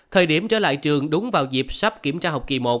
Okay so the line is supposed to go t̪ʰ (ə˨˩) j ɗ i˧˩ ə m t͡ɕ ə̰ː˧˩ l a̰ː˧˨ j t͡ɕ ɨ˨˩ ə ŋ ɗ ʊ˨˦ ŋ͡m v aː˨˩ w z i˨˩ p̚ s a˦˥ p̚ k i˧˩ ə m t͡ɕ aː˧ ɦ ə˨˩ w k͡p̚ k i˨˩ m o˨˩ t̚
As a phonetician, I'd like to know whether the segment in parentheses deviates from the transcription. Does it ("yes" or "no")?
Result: yes